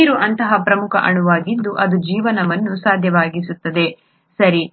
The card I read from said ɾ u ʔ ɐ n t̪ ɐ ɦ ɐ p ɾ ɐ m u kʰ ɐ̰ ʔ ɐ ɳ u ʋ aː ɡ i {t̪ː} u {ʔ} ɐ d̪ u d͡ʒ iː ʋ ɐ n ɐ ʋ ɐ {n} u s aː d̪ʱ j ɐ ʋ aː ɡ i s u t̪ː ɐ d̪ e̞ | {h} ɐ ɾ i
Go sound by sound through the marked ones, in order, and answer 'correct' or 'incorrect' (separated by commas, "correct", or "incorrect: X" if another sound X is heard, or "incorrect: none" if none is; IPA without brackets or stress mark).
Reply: incorrect: d̪ː, correct, incorrect: nː, incorrect: s